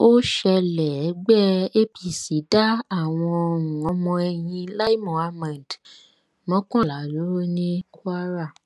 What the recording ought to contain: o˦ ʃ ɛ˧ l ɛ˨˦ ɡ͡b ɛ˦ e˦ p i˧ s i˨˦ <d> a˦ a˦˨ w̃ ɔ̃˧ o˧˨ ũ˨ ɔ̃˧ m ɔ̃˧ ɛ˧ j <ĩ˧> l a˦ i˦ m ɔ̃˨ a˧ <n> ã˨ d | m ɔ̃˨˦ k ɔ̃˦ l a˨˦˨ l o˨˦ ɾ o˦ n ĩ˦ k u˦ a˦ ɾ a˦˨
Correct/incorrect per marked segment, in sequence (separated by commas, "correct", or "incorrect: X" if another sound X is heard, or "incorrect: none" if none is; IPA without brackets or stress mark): correct, correct, incorrect: m